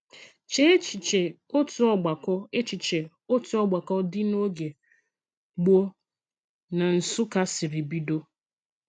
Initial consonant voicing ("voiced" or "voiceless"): voiceless